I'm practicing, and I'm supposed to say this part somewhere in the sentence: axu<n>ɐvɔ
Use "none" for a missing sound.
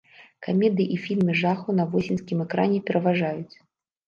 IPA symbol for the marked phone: n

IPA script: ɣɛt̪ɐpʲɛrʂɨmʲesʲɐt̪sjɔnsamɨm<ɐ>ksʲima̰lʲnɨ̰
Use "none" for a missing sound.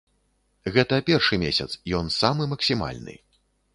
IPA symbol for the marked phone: ɐ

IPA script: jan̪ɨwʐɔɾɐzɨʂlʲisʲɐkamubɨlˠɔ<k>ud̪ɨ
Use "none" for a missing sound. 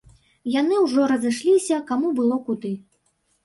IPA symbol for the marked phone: k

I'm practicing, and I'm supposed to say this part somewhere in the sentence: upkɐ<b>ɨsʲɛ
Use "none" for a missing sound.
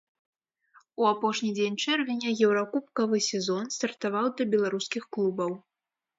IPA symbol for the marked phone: v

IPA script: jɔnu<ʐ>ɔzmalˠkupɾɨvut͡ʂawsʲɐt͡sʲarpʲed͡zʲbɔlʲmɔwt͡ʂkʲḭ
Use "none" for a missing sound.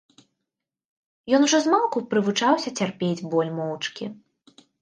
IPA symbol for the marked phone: ʐ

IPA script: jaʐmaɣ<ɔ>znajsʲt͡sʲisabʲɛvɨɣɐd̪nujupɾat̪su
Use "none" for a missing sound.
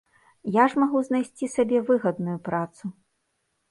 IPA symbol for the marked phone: u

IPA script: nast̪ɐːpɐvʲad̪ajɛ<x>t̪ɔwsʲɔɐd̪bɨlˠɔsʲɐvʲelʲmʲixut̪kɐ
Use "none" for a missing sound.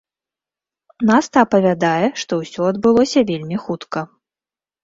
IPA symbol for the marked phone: ʂ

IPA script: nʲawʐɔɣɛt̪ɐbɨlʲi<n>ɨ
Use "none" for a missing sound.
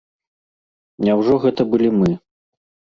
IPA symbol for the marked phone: m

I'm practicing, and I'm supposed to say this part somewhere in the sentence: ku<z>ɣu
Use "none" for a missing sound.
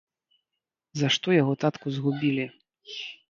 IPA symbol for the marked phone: z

